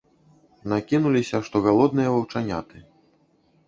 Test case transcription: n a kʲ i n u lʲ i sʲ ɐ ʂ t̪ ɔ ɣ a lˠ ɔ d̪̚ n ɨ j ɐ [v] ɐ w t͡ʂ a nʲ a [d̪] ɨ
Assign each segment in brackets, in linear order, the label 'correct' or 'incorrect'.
correct, incorrect

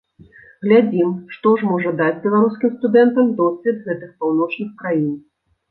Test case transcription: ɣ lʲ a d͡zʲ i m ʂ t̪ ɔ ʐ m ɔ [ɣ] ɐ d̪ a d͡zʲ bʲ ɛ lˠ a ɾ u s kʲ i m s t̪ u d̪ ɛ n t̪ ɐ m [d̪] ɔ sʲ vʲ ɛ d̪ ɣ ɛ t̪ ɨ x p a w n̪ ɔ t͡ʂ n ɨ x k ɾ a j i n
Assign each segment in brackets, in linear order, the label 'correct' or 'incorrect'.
incorrect, correct

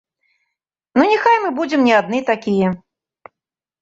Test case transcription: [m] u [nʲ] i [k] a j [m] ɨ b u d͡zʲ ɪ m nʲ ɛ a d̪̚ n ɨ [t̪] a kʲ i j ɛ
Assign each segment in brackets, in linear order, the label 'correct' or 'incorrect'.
incorrect, correct, incorrect, correct, correct

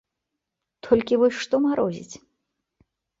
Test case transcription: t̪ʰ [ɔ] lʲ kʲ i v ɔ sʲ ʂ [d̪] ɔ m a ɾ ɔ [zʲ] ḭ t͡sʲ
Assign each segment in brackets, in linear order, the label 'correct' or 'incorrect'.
correct, incorrect, correct

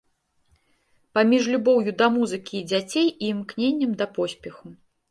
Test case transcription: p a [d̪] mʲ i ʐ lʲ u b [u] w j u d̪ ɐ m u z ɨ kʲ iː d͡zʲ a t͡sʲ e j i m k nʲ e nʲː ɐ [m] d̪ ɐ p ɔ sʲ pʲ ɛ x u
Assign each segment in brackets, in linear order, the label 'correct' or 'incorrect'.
incorrect, incorrect, correct

